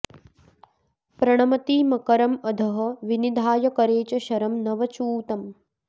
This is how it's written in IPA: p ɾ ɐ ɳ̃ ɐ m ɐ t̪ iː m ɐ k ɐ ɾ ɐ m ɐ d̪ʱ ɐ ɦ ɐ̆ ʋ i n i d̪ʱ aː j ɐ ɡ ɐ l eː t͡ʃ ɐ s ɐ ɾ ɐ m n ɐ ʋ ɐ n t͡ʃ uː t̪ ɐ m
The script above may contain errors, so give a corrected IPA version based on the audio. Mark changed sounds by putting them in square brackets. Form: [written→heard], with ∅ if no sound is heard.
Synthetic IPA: p ɾ ɐ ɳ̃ ɐ m ɐ t̪ iː m ɐ k ɐ ɾ ɐ m ɐ d̪ʱ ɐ ɦ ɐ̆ ʋ i n i d̪ʱ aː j ɐ [ɡ→k] ɐ [l→ɾ] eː t͡ʃ ɐ [s→ʃ] ɐ ɾ ɐ m n ɐ ʋ ɐ [n→∅] t͡ʃ uː t̪ ɐ m

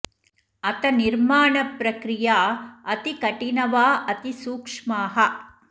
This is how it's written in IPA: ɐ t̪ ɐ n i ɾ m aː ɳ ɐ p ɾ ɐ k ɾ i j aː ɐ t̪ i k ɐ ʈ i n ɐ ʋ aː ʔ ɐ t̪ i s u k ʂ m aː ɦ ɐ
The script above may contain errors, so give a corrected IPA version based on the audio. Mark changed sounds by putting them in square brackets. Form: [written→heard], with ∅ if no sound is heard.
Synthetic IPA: ɐ t̪ ɐ n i ɾ m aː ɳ ɐ p ɾ ɐ k ɾ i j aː ɐ t̪ i k ɐ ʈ i n ɐ ʋ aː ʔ ɐ t̪ i s [u→uː] k ʂ m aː ɦ ɐ

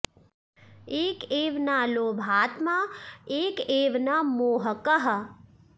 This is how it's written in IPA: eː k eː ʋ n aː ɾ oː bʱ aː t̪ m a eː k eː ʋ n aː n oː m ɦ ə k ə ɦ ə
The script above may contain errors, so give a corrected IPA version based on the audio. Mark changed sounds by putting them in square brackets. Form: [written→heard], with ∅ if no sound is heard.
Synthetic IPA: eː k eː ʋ n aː [ɾ→l] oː bʱ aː t̪ m a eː k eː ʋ n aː [n→m] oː [m→∅] ɦ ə k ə ɦ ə

